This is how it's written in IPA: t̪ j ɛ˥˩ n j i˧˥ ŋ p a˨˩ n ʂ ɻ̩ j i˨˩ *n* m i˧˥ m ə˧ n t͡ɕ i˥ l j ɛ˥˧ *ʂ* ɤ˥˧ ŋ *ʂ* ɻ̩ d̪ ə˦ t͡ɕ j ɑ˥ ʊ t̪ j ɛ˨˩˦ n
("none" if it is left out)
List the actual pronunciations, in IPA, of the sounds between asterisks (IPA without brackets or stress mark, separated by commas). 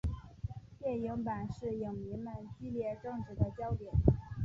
ŋ, ʈ͡ʂ, ʈ͡ʂ